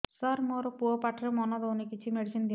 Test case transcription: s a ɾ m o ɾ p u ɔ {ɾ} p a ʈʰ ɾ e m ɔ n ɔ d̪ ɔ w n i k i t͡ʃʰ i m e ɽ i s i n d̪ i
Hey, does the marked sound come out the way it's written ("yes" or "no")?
no